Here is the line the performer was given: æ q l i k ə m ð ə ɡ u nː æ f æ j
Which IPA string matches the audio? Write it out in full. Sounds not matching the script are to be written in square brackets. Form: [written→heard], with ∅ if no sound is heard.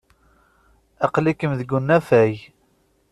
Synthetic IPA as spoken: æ q l i k ə m ð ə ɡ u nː æ f æ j